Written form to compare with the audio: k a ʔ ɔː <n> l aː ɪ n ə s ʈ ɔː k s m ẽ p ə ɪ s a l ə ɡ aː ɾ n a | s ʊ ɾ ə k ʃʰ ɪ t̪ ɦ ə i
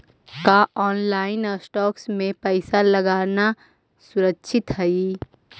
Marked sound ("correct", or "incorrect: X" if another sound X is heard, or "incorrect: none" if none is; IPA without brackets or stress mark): correct